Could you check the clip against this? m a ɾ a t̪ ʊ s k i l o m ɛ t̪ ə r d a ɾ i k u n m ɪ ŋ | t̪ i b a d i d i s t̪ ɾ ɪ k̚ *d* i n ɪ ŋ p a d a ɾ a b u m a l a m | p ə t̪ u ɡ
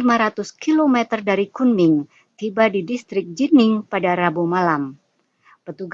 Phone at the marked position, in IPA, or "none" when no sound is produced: d͡ʒ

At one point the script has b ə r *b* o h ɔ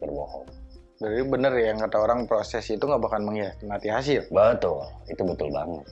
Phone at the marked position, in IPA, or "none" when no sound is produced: b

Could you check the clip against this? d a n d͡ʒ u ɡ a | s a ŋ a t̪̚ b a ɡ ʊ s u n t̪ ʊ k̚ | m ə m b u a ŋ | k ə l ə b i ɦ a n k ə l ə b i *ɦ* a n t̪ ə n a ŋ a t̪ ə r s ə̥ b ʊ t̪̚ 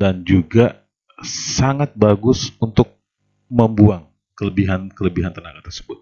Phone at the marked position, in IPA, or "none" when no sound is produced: ɦ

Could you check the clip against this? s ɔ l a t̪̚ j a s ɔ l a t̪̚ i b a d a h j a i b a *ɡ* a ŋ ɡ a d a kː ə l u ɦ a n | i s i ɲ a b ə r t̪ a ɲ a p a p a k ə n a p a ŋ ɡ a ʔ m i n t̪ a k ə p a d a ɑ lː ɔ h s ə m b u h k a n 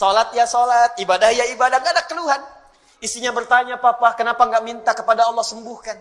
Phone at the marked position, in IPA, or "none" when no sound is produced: d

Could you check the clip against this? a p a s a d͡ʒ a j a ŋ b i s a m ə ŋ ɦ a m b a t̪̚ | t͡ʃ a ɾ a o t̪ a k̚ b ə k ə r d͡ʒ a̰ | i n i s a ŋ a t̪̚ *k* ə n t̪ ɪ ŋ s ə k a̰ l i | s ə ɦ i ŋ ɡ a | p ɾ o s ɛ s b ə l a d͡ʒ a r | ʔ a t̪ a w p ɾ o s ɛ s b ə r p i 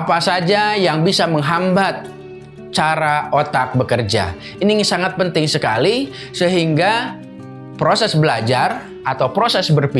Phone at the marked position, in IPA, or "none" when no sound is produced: p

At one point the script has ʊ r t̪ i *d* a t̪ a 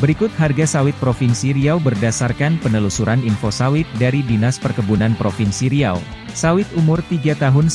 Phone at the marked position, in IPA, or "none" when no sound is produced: ɡ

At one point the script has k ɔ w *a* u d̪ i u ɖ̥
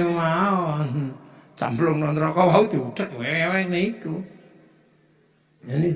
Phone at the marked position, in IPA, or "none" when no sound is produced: a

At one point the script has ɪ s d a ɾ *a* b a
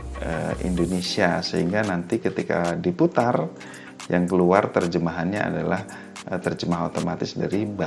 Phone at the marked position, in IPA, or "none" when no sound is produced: i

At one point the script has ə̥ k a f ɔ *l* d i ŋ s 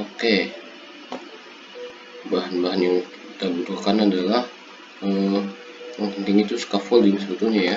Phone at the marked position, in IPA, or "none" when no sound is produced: l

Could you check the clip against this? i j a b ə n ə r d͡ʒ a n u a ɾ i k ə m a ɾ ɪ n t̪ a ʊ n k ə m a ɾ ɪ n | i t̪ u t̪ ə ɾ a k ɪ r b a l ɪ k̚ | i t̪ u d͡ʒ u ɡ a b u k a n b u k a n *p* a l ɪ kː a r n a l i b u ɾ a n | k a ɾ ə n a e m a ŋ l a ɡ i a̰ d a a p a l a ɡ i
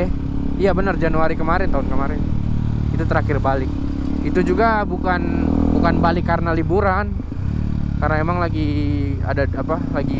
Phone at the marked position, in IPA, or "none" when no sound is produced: b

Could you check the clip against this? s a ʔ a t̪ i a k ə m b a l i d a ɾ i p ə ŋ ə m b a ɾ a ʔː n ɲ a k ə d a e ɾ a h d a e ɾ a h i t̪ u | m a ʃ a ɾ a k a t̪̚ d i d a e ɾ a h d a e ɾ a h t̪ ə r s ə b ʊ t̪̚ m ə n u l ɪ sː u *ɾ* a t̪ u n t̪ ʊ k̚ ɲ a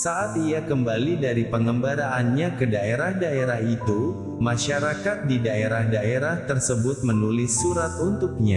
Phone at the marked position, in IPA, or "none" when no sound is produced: ɾ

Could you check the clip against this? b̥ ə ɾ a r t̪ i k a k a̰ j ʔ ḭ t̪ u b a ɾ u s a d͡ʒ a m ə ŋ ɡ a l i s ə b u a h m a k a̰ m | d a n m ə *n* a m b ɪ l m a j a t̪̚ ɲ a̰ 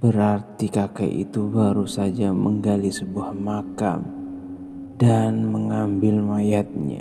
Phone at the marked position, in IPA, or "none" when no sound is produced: ŋ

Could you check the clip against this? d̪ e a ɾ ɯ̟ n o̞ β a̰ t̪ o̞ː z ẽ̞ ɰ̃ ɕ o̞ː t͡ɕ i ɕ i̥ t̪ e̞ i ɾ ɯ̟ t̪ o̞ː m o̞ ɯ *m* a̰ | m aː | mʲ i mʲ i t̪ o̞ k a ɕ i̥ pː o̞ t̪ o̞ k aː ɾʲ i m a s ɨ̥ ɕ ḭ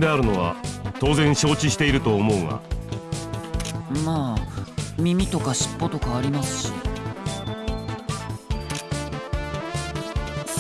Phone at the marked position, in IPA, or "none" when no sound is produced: ŋ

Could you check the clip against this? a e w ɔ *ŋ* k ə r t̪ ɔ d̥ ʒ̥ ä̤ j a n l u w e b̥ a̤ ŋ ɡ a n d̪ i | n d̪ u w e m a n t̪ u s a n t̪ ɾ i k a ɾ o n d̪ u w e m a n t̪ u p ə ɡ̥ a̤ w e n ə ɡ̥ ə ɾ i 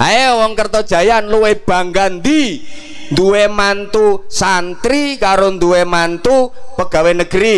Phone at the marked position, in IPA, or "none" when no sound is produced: ŋ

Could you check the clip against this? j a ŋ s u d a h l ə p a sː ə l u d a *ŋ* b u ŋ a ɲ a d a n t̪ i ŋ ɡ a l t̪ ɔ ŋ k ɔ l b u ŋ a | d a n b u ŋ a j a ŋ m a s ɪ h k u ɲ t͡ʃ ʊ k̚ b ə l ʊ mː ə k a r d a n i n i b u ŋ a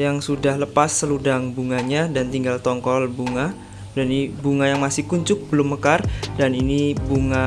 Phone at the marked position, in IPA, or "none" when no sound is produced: ŋ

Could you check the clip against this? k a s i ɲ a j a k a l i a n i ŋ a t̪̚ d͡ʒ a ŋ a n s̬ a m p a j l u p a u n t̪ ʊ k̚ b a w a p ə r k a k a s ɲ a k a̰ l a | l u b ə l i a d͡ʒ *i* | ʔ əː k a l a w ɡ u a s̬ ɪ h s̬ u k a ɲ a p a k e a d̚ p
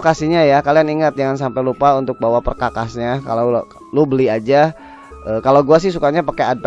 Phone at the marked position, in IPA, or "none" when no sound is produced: a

